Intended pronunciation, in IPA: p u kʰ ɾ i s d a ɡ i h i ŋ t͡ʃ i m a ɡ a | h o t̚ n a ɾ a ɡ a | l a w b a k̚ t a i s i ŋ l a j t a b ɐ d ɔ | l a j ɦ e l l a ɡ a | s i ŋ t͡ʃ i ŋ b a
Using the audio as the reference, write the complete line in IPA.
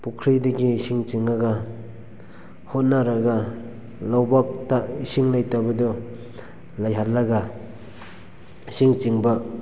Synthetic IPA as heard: p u kʰ ɾ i d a ɡ i s i ŋ t͡ʃ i ŋ a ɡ a | h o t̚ n a ɾ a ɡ a | l a w b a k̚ t a i s i ŋ l a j t a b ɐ d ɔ | l a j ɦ a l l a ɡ a | s i ŋ t͡ʃ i ŋ b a

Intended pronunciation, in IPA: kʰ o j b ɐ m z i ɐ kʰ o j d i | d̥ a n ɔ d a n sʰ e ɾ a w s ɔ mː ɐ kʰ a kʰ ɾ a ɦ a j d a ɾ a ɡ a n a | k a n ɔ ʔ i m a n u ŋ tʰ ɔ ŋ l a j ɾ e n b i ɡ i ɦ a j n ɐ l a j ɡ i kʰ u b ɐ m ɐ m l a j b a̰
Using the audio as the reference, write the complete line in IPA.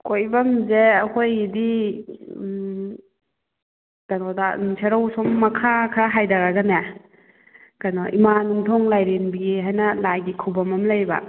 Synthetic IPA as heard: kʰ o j b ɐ m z e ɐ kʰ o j d i | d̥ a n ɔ d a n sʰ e ɾ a w s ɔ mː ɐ kʰ a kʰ ɾ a ɦ a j d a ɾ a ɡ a n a | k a n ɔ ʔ i m a n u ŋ tʰ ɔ ŋ l a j ɾ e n b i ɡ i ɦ a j n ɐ l a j ɡ i kʰ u b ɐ m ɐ m l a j b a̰

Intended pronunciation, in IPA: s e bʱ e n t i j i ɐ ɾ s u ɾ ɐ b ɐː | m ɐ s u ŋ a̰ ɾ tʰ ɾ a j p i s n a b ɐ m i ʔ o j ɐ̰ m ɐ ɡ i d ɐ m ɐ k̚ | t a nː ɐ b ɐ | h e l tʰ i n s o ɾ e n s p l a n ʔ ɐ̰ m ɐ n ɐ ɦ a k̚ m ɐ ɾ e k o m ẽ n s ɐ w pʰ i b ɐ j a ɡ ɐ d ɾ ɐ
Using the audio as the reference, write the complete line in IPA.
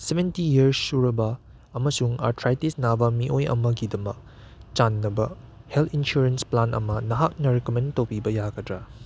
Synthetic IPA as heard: s e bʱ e n t i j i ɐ ɾ s u ɾ ɐ b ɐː | m ɐ s u ŋ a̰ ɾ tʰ ɾ a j t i s n a b ɐ m i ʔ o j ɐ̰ m ɐ ɡ i d ɐ m ɐ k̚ | t͡ʃ a nː ɐ b ɐ | h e l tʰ i n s u ɾ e n s p l a n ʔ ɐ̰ m ɐ n ɐ ɦ a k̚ n ɐ ɾ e k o m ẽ n t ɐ w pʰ i b ɐ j a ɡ ɐ d ɾ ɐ

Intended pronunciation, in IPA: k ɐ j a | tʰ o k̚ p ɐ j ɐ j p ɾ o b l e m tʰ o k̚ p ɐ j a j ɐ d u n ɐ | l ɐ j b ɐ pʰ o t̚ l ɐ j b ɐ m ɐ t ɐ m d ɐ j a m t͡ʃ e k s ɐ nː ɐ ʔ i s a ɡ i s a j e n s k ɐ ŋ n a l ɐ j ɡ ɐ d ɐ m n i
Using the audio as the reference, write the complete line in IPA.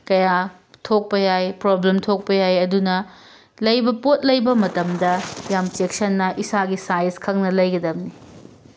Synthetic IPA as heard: k ɐ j a | tʰ o k̚ p ɐ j a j p ɾ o b l e m tʰ o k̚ p ɐ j a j ɐ d u n ɐ | l ɐ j b ɐ p o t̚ l ɐ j b ɐ m ɐ t ɐ m d ɐ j a m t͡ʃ e k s ɐ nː ɐ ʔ i s a ɡ i s a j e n s kʰ ɐ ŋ n ɐ l ɐ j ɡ ɐ d ɐ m n i

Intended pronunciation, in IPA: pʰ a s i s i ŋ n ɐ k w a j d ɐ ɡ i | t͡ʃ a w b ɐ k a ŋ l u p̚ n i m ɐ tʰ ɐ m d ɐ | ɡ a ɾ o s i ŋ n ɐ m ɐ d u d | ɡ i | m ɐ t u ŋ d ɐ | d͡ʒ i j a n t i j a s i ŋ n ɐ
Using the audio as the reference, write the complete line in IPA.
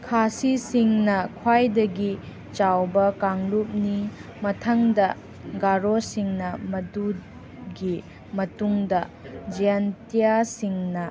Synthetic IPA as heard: kʰ a s i s i ŋ n ɐ kʰ w a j d ɐ ɡ i | t͡ʃ a w b ɐ k a ŋ l u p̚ n i m ɐ tʰ ɐ ŋ d ɐ | ɡ a ɾ o s i ŋ n ɐ m ɐ d u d | ɡ i | m ɐ t u ŋ d ɐ | d͡ʒ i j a n t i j a s i ŋ n ɐ

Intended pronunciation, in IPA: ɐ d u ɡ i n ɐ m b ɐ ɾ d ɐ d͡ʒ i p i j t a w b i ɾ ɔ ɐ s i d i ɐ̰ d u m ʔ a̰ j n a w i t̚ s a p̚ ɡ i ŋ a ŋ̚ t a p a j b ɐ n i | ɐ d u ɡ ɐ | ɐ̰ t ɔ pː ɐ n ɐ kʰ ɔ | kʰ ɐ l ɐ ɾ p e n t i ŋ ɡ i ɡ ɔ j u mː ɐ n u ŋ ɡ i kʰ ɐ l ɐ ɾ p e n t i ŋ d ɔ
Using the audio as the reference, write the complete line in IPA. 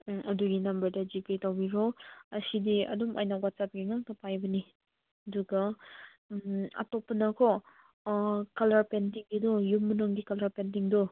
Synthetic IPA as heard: ɐ d u ɡ i n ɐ m b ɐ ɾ d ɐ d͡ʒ i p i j t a w b i ɾ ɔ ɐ s i d i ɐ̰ d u m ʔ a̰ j n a w a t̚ s a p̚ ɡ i ŋ a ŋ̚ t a p a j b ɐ n i | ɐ d u ɡ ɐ | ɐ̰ t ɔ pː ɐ n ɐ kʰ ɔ | k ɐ l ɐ ɾ p e n t i ŋ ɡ i d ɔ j u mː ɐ n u ŋ ɡ i k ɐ l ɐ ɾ p e n t i ŋ d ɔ

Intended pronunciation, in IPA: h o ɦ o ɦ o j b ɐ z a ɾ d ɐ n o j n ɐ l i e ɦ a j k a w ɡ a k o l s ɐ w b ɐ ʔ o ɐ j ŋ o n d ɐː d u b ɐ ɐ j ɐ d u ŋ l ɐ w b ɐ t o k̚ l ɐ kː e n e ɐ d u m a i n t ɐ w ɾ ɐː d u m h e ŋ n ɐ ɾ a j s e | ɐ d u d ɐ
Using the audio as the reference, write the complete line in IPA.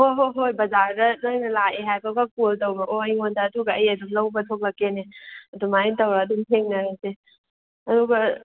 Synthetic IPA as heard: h o ɦ o ɦ o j b ɐ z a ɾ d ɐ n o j n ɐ l a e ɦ a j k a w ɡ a k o l t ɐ w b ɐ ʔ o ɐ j ŋ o n d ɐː d u ɡ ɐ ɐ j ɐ d u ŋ l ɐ w b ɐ tʰ o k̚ l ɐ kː e n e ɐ d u m a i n t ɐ w ɾ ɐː d u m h e ŋ n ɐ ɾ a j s e | ɐ d u ɡ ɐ

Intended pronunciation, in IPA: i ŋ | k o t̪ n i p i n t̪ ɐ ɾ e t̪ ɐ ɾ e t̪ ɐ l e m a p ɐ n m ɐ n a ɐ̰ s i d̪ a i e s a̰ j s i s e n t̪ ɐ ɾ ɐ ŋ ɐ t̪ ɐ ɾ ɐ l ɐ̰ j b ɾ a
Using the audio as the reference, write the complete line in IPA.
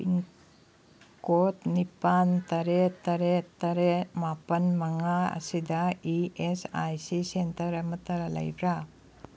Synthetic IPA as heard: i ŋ | k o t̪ n i p a n t̪ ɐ ɾ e t̪ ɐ ɾ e t̪ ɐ ɾ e m a p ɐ n m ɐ ŋ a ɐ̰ s i d̪ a i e s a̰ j s i s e n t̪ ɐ ɾ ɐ m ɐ t̪ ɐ ɾ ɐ l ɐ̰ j b ɾ a

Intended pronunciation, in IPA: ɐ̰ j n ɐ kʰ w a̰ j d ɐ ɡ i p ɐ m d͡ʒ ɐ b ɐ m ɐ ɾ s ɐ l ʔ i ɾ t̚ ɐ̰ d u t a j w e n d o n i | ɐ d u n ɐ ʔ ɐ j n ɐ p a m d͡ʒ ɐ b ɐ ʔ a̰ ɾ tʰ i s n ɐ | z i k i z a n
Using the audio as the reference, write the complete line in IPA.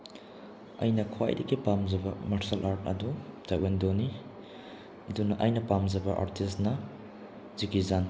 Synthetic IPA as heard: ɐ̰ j n ɐ kʰ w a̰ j d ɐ ɡ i p a m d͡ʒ ɐ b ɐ m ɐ ɾ s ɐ l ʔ a ɾ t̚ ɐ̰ d u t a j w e n d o n i | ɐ d u n ɐ ʔ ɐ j n ɐ p a m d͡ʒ ɐ b ɐ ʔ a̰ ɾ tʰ i s n ɐ | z i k i z a n

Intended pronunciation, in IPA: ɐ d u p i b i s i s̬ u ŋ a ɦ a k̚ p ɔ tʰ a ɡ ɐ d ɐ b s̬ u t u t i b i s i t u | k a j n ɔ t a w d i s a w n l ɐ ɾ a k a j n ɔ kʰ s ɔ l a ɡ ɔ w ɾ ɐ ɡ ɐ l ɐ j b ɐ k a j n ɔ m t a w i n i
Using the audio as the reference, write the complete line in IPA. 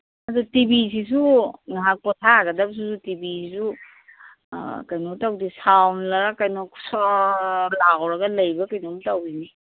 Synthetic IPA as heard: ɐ d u t i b i s i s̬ u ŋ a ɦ a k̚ p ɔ tʰ a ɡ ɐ d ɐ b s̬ u s u t i b i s i s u | k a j n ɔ t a w d i s a w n l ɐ ɾ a k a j n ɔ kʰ s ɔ l a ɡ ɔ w ɾ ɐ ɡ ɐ l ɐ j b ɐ k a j n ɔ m t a w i n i

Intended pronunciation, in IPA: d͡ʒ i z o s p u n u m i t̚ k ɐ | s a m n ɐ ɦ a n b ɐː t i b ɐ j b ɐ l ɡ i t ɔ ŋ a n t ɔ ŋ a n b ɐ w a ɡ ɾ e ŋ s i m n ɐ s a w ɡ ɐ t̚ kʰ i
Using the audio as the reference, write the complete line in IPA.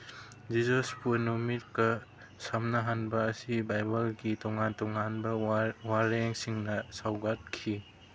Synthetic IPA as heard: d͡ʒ i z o s p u n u m i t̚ k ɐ | s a m n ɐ ɦ a n b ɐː s i b a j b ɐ l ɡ i t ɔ ŋ a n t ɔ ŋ a n b ɐ w a ɾ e ŋ s i ŋ n ɐ s a w ɡ a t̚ kʰ i

